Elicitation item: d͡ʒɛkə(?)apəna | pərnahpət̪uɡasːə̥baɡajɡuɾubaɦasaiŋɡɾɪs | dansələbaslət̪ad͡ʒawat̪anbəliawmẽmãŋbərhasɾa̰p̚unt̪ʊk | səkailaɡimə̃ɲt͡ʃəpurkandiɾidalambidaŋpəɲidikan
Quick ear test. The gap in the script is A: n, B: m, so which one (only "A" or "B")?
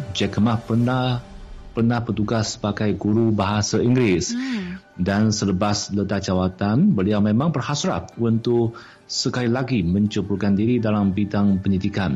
B